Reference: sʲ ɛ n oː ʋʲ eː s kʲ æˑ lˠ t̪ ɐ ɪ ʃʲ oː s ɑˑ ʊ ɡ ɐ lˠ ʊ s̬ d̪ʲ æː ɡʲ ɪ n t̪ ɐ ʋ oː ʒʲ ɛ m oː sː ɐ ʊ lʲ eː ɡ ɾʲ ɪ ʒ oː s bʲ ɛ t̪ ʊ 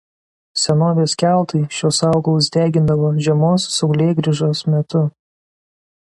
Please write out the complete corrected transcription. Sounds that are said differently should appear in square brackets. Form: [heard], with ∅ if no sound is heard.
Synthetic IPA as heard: sʲ ɛ n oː ʋʲ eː s kʲ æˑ lˠ t̪ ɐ ɪ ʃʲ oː s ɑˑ ʊ ɡ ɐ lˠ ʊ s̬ d̪ʲ æː ɡʲ ɪ n [d̪] ɐ ʋ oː ʒʲ ɛ m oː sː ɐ ʊ lʲ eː ɡ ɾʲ ɪ ʒ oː s [mʲ] ɛ t̪ ʊ

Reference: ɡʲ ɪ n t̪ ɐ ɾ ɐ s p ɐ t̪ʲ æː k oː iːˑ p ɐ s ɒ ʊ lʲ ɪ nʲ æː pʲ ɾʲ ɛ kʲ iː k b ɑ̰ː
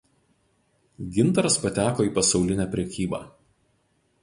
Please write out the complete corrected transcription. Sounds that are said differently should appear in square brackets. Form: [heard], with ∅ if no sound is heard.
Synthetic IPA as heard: ɡʲ ɪ n t̪ ɐ ɾ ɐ s p ɐ t̪ʲ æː k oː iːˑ p ɐ s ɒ ʊ lʲ ɪ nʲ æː pʲ ɾʲ ɛ kʲ iː [∅] b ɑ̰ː

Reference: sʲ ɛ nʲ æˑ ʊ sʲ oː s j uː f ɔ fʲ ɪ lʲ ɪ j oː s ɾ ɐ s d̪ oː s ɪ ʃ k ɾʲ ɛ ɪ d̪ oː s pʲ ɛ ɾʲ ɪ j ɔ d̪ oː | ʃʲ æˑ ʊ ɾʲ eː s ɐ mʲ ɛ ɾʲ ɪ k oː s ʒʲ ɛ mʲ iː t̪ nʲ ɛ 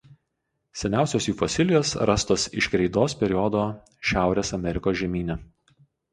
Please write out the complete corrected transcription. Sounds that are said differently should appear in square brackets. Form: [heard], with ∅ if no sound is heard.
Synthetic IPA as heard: sʲ ɛ nʲ æˑ ʊ sʲ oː s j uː f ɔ [sʲ] ɪ lʲ ɪ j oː s ɾ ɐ s [t̪] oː s ɪ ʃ k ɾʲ ɛ ɪ d̪ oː s pʲ ɛ ɾʲ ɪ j ɔ d̪ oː | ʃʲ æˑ ʊ ɾʲ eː s ɐ mʲ ɛ ɾʲ ɪ k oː s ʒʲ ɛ mʲ iː [∅] nʲ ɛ

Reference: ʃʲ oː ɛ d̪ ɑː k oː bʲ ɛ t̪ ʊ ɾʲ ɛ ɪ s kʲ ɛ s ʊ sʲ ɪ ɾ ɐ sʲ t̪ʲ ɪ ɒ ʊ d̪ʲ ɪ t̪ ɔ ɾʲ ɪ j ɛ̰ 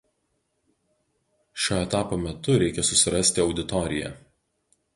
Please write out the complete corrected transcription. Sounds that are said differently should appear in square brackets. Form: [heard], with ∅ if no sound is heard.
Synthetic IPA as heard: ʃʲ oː ɛ [t̪] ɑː [p] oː [mʲ] ɛ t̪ ʊ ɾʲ ɛ ɪ [∅] kʲ ɛ s ʊ sʲ ɪ ɾ ɐ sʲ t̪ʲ ɪ ɒ ʊ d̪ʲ ɪ t̪ ɔ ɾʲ ɪ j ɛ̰

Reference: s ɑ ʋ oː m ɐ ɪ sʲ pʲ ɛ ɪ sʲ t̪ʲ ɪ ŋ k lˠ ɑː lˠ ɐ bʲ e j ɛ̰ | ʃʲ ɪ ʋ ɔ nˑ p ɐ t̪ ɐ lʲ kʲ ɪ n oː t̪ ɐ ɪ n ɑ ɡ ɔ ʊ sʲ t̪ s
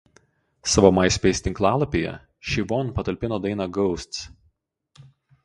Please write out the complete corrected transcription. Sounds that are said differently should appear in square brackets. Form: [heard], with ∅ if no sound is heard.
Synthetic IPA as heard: s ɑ ʋ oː m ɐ ɪ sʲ pʲ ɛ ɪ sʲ t̪ʲ ɪ ŋ k lˠ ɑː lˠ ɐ [pʲ] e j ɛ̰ | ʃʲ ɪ ʋ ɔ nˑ p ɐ t̪ ɐ lʲ [pʲ] ɪ n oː [d̪] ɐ ɪ n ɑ ɡ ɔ ʊ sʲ t̪ s

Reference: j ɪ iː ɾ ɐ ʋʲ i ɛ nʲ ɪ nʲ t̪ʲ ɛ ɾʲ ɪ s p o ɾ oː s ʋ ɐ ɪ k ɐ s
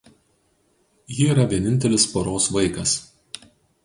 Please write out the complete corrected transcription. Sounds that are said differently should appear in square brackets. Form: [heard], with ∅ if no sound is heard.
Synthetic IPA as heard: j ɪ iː ɾ ɐ ʋʲ i ɛ nʲ ɪ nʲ t̪ʲ ɛ [lʲ] ɪ s p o ɾ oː s ʋ ɐ ɪ k ɐ s

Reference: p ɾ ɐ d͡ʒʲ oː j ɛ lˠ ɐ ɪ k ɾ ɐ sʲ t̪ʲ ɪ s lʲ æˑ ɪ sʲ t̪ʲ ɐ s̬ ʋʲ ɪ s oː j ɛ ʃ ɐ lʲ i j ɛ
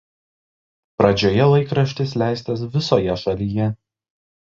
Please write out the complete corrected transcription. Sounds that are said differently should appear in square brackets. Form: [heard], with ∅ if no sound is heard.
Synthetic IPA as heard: p ɾ ɐ d͡ʒʲ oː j ɛ lˠ ɐ ɪ k ɾ ɐ [ʃʲ] t̪ʲ ɪ s lʲ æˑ ɪ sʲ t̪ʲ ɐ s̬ ʋʲ ɪ s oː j ɛ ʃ ɐ lʲ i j ɛ

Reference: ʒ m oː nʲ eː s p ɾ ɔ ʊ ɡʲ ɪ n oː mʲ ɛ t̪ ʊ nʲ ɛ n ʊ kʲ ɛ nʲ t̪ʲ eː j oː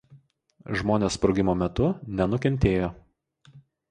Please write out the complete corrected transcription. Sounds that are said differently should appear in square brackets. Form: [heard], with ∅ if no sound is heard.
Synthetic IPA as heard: ʒ m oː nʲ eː s p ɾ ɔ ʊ ɡʲ ɪ [m] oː mʲ ɛ t̪ ʊ nʲ ɛ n ʊ kʲ ɛ nʲ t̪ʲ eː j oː

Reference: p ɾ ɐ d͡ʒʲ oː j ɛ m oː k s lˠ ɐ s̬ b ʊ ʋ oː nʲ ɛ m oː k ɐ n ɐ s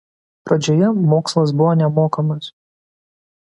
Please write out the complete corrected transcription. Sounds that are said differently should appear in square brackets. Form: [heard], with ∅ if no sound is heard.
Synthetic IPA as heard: p ɾ ɐ d͡ʒʲ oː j ɛ m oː k s lˠ ɐ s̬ b ʊ ʋ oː nʲ ɛ m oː k ɐ [m] ɐ s

